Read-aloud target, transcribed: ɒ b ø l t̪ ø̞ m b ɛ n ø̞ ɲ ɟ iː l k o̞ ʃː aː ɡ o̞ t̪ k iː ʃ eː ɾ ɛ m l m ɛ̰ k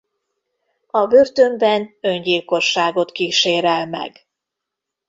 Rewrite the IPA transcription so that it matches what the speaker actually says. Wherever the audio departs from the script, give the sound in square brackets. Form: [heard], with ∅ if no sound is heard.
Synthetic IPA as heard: ɒ b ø [r] t̪ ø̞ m b ɛ n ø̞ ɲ ɟ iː l k o̞ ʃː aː ɡ o̞ t̪ k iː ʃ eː ɾ ɛ [∅] l m ɛ̰ [ɡ]